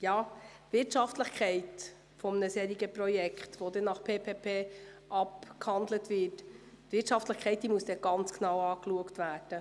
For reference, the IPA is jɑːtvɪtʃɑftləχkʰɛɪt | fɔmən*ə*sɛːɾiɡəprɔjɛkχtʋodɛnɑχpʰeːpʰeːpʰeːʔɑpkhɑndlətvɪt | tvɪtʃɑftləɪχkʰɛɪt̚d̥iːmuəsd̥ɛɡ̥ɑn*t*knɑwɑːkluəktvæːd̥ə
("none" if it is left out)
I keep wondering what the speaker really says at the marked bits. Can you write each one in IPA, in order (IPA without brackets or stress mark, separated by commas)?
ə, t͡s